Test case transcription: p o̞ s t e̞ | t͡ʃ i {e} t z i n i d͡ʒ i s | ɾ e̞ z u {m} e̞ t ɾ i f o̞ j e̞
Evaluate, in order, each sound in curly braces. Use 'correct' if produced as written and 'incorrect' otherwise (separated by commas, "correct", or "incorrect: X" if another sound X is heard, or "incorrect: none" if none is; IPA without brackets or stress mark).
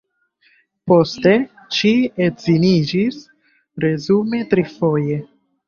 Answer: correct, correct